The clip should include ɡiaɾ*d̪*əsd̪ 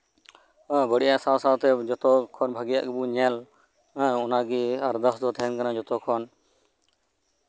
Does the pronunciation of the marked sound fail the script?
no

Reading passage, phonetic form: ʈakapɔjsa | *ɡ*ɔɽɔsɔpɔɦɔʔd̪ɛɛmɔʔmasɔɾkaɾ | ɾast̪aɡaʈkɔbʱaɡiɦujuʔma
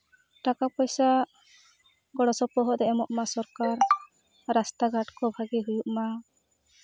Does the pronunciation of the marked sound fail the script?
no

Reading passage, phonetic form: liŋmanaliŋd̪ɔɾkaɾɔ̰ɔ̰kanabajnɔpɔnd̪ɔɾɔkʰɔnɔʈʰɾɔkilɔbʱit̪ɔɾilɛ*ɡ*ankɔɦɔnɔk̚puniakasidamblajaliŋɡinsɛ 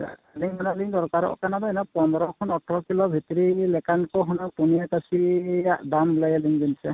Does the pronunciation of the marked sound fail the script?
yes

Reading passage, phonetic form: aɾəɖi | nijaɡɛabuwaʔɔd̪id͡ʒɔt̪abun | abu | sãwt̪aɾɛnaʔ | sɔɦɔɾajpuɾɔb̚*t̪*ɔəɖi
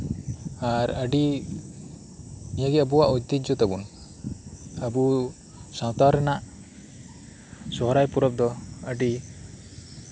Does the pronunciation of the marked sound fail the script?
yes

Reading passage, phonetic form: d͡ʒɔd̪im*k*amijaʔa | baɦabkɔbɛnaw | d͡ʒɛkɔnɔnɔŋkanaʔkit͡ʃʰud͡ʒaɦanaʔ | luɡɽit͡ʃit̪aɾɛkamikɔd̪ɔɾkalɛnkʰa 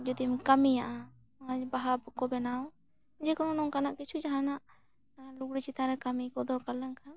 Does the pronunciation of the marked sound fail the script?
no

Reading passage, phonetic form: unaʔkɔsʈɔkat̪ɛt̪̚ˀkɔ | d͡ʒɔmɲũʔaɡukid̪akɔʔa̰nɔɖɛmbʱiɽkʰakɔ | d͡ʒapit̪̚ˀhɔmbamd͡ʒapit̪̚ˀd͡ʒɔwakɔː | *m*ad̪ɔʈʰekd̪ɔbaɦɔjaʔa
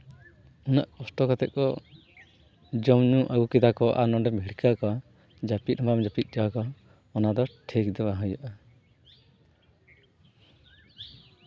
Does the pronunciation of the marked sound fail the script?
yes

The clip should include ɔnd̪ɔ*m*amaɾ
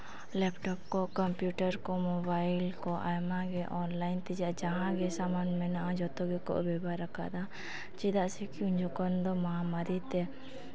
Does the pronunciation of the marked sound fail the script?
no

